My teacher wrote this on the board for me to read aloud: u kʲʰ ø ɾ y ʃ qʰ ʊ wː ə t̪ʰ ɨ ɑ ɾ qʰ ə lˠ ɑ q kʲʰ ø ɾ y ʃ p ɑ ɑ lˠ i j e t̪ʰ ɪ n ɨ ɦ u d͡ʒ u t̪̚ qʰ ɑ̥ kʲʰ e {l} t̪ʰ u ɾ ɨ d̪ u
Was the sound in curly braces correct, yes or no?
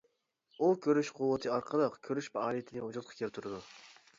yes